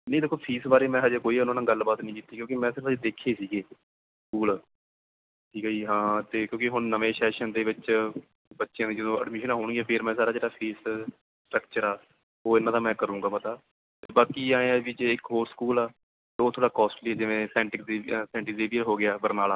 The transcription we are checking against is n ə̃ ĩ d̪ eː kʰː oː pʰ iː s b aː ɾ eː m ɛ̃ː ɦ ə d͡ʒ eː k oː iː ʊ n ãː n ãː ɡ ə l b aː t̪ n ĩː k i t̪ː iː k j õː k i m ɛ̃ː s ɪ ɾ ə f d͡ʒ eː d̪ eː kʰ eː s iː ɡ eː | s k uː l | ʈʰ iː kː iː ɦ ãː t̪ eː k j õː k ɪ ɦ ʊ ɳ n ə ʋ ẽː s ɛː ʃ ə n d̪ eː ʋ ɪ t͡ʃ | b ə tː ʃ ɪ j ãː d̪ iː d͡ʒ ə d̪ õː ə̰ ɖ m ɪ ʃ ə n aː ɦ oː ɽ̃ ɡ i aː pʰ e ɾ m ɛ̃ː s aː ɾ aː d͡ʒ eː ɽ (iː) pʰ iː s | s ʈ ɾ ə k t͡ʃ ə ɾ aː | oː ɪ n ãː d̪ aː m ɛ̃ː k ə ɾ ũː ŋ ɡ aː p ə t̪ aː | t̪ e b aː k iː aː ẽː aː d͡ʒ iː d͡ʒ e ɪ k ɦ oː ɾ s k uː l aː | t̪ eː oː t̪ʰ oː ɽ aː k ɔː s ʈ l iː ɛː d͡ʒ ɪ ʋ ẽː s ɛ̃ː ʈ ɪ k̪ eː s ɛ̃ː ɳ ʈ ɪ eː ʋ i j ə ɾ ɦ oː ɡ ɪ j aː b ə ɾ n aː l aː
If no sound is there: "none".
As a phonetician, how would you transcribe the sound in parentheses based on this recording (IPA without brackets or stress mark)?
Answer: aː